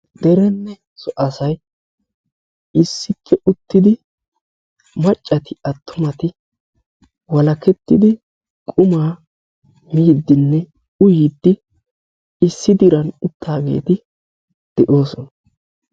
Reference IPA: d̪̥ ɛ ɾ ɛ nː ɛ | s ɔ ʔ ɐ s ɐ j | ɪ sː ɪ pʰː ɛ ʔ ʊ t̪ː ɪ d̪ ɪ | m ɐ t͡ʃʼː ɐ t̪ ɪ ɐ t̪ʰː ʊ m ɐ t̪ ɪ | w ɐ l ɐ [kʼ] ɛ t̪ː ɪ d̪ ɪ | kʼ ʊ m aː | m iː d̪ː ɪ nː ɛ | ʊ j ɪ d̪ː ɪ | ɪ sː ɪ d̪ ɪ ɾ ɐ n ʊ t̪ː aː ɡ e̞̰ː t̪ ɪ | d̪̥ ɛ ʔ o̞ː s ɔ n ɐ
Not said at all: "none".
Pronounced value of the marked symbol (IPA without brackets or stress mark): k